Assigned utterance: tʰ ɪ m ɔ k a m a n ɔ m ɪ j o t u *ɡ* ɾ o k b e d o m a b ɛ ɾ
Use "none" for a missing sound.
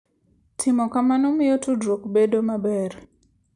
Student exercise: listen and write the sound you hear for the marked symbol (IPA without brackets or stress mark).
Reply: d